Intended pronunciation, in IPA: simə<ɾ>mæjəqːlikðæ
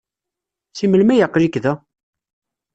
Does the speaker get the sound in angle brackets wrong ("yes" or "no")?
yes